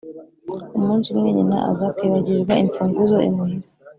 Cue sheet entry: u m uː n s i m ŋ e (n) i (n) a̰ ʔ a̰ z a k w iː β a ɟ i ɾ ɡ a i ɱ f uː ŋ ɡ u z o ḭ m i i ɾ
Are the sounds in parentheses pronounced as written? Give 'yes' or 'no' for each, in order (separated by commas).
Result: no, yes